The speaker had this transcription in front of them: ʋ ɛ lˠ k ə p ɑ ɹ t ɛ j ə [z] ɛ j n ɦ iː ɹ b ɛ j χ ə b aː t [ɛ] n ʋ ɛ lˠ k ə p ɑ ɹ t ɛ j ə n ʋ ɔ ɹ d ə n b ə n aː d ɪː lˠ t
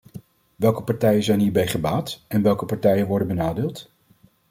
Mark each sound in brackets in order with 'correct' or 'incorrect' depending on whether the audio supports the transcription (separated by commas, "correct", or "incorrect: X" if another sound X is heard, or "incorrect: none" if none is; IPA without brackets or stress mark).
correct, correct